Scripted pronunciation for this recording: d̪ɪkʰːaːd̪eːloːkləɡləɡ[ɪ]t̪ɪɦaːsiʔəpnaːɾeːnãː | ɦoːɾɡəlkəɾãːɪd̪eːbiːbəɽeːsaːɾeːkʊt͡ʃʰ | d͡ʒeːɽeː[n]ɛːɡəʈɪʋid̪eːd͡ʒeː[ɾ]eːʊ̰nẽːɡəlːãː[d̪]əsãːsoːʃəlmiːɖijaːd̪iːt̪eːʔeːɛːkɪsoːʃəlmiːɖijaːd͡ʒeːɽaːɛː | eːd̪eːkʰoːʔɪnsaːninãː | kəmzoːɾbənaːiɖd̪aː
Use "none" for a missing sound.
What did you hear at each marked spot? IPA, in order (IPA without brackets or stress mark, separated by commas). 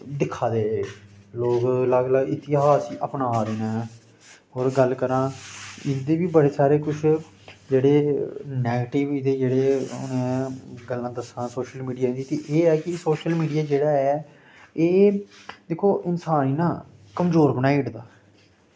ɪ, n, ɽ, d̪